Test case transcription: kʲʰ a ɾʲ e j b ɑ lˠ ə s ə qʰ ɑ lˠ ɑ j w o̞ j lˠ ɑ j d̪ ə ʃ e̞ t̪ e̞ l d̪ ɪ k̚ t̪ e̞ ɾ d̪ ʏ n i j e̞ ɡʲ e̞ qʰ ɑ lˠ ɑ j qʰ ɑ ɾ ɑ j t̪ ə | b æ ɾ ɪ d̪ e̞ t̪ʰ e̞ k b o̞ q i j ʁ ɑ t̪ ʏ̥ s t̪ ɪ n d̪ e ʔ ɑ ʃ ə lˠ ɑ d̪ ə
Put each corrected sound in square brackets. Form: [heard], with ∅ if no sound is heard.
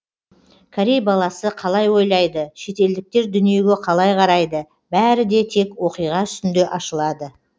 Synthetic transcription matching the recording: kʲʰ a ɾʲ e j b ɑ lˠ [ɑ] s ə qʰ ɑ lˠ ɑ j w o̞ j lˠ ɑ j d̪ ə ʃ e̞ t̪ e̞ l d̪ ɪ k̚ t̪ e̞ ɾ d̪ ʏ n i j e̞ ɡʲ e̞ qʰ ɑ lˠ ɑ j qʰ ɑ ɾ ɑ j [d̪] ə | b æ ɾ ɪ d̪ e̞ t̪ʰ e̞ k [w] o̞ q i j ʁ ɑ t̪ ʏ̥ s t̪ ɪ n d̪ e ʔ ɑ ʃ ə lˠ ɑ d̪ ə